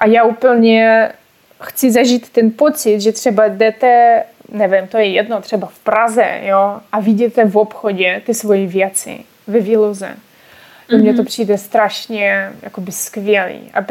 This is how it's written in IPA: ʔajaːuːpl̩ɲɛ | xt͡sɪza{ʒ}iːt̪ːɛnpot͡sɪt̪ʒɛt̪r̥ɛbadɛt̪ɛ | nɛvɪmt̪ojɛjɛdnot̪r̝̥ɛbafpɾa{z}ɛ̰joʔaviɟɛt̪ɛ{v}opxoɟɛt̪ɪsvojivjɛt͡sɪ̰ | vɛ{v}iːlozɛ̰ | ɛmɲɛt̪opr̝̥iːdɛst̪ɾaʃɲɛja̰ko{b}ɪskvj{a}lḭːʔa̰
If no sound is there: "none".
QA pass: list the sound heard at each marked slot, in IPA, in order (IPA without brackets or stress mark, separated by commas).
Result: ʒ, z, v, v, b, ɛ